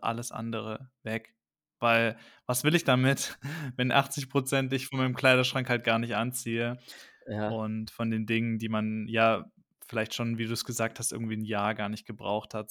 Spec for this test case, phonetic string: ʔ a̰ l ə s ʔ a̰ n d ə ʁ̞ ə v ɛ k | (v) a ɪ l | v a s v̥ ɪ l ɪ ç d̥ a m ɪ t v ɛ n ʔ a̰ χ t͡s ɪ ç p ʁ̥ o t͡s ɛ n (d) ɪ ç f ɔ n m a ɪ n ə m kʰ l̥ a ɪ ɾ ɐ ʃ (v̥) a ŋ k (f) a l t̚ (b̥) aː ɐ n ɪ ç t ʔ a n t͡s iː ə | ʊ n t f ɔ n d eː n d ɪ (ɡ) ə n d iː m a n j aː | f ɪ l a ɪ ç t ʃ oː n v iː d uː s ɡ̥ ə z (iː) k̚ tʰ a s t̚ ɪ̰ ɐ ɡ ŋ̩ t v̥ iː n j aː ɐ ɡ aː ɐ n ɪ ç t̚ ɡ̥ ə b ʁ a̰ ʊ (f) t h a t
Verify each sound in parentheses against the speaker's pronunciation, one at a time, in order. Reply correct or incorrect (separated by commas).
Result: correct, incorrect, incorrect, incorrect, incorrect, incorrect, incorrect, incorrect